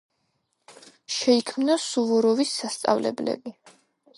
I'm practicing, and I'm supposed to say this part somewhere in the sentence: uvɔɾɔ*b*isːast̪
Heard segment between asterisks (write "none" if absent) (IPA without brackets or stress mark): v